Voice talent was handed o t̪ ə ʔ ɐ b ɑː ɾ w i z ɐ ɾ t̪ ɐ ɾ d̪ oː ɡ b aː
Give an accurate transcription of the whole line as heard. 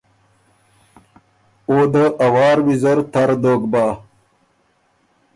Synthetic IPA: o d̪ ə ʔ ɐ w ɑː ɾ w i z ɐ ɾ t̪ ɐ ɾ d̪ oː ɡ b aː